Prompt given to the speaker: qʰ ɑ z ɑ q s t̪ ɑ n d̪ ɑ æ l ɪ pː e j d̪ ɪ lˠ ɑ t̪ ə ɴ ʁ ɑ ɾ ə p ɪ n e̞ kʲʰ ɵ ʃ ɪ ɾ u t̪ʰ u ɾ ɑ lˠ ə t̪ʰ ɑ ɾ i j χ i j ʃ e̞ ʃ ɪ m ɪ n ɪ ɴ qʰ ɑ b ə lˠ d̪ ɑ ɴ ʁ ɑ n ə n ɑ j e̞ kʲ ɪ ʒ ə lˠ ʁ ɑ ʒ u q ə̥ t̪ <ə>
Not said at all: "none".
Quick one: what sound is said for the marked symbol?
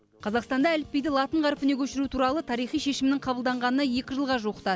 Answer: ɑ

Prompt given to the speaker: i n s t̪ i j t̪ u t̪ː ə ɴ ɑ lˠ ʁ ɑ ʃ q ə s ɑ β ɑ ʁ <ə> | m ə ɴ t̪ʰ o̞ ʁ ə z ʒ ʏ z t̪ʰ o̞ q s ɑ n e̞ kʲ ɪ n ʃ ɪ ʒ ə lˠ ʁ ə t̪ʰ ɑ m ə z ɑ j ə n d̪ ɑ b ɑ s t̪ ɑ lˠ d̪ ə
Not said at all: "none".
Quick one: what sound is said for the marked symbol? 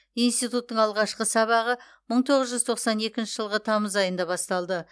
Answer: ə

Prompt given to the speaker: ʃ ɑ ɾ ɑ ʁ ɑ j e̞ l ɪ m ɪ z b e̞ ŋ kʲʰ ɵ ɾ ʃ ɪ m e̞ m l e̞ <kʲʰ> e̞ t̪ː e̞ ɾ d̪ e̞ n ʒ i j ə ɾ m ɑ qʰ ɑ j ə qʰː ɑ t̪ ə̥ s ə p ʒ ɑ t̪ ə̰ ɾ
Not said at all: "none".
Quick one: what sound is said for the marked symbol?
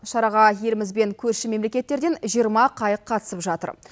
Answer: kʲ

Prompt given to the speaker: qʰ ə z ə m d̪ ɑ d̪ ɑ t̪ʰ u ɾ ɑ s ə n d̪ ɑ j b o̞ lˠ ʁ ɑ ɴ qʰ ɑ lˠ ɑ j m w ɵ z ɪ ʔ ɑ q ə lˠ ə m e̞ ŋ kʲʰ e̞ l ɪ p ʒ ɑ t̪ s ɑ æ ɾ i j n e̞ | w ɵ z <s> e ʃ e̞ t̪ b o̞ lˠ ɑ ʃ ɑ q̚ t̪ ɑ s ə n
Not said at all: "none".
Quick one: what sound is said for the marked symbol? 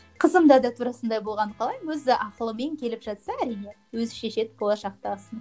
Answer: ʃ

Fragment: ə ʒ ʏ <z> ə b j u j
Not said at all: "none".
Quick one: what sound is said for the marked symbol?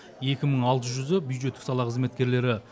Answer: z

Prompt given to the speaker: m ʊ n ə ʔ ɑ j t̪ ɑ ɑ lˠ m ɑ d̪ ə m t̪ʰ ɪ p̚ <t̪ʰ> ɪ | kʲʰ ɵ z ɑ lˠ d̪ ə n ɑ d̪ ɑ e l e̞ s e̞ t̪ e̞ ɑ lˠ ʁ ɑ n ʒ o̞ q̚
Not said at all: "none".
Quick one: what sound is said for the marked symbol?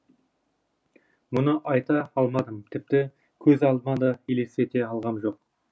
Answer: t̪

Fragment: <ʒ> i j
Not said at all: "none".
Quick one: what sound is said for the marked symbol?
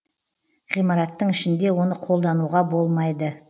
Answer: ʁ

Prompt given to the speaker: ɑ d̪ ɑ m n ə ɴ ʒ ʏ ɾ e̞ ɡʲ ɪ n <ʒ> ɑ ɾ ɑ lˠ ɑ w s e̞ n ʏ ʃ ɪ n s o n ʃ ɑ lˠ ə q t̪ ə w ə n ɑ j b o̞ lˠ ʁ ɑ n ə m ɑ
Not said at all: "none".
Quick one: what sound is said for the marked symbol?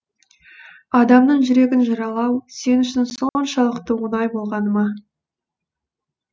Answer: ʒ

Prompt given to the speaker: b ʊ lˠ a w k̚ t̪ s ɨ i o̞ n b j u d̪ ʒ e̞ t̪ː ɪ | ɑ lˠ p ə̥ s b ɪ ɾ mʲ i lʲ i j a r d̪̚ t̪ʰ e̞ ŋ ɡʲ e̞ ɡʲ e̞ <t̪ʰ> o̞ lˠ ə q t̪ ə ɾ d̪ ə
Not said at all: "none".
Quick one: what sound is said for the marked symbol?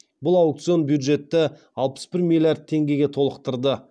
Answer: t̪ʰ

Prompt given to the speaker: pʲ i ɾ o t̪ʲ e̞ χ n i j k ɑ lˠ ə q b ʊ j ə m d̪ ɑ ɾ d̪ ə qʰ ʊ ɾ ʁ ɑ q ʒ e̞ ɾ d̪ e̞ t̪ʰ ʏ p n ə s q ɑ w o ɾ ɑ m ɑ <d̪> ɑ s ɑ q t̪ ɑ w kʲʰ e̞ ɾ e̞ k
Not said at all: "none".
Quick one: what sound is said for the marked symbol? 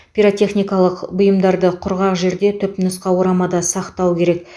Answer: d̪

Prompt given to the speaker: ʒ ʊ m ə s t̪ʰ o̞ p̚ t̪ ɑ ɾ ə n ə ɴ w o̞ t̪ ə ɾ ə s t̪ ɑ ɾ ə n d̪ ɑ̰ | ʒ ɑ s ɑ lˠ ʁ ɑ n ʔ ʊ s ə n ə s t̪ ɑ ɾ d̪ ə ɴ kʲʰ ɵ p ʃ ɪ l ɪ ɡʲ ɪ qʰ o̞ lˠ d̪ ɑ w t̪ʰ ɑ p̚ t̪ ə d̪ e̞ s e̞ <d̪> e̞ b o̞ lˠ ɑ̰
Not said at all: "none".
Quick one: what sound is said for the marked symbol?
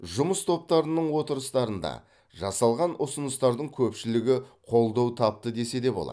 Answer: d̪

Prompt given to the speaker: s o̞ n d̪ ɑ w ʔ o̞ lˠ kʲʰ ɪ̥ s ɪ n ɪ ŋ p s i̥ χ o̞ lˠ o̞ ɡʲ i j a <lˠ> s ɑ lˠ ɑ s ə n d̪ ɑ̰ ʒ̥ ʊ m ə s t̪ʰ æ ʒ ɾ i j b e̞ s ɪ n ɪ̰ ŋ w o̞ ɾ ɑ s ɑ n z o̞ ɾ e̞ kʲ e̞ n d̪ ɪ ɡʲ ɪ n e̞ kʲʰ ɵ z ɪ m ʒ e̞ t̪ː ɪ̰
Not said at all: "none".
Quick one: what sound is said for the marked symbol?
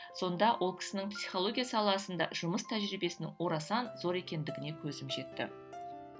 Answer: none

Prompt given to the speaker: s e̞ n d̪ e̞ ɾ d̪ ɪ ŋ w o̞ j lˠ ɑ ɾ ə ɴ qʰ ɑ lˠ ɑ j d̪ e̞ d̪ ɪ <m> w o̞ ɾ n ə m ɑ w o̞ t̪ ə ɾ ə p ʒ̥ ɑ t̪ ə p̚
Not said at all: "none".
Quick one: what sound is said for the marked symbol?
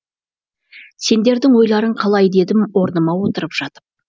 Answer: m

